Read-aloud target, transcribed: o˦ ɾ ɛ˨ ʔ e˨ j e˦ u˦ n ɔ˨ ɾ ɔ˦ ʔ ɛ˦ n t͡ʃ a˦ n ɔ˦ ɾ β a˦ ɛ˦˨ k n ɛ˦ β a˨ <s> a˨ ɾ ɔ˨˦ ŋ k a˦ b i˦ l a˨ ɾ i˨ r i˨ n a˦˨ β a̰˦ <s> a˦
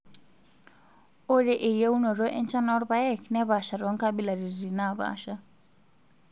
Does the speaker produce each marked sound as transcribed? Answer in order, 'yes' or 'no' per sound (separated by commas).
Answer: no, no